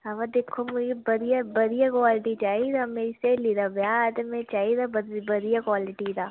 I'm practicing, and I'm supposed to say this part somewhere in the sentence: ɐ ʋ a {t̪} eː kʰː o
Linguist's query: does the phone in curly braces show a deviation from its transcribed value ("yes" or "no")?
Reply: yes